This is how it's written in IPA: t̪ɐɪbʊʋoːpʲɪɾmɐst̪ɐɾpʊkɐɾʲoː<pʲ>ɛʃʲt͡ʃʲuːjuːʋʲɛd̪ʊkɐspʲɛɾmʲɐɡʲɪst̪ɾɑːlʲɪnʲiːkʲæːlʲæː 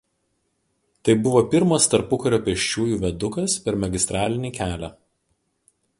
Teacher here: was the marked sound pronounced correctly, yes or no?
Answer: yes